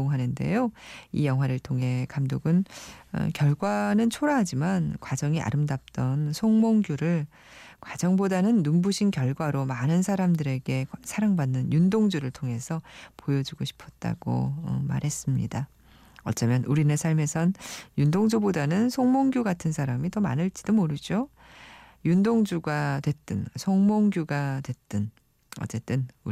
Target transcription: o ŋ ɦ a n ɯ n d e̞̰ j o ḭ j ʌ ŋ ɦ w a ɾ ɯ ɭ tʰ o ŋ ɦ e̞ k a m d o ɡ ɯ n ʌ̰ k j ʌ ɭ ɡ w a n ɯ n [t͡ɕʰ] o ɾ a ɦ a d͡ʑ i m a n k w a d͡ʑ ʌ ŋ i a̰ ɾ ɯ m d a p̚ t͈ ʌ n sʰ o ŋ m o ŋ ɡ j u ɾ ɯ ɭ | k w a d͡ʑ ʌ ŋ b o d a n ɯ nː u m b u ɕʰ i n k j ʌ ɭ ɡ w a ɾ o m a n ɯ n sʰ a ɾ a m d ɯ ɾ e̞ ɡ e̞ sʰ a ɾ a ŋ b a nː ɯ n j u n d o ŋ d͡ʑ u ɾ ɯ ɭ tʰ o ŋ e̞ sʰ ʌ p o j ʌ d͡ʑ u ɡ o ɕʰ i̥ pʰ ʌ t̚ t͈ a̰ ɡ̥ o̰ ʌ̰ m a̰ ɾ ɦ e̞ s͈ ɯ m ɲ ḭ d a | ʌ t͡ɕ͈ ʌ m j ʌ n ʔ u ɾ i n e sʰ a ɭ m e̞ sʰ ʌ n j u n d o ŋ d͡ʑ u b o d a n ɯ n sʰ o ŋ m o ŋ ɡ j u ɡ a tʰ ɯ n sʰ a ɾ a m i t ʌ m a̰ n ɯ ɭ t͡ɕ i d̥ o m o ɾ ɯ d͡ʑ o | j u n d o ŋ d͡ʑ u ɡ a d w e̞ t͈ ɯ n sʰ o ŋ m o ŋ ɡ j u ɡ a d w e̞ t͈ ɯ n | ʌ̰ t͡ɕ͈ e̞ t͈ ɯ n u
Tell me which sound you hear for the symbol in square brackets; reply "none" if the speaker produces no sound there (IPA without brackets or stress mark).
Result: t͡ɕʰ